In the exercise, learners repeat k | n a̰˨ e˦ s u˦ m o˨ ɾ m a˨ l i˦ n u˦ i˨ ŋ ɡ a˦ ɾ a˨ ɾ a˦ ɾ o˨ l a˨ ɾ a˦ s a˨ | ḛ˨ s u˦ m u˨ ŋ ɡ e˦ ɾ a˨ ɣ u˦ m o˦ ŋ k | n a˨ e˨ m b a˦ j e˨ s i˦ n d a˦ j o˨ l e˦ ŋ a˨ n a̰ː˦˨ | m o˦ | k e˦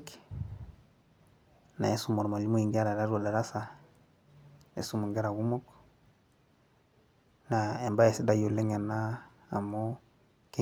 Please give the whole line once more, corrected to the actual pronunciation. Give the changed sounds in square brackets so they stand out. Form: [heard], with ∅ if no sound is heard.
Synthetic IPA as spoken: k | n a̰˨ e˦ s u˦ m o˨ ɾ m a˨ l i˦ [m] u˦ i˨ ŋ ɡ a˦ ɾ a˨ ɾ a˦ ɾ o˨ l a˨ ɾ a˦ s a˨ | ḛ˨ s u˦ m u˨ ŋ ɡ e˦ ɾ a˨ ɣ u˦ m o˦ [∅] k | n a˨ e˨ m b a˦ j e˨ s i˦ [∅] d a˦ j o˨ l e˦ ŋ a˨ n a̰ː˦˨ | m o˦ | k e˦